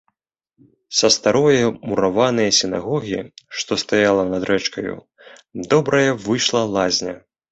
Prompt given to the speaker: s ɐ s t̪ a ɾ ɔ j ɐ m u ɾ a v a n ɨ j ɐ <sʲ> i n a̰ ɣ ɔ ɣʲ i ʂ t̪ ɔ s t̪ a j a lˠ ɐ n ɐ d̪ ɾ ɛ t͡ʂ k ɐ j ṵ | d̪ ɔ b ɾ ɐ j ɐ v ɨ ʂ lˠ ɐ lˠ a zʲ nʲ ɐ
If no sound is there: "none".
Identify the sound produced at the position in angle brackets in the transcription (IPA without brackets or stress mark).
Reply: sʲ